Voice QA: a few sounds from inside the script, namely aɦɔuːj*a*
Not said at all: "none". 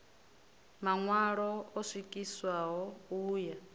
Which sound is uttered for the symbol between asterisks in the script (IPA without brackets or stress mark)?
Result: a